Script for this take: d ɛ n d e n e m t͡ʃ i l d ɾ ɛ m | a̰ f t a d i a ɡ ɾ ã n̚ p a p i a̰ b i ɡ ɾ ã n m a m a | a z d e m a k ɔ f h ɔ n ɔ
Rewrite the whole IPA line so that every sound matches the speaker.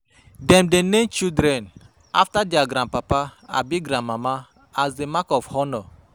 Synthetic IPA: d ɛ m d e n e m t͡ʃ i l d ɾ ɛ n | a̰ f t a d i a ɡ ɾ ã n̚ p a p a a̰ b i ɡ ɾ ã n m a m a | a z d e m a k ɔ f h ɔ n ɔ